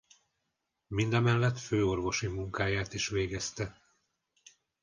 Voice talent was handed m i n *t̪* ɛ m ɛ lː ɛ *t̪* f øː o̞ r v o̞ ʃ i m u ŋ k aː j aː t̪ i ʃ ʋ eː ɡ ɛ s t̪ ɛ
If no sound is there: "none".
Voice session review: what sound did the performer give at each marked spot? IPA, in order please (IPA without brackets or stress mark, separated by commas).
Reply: d̪, t̪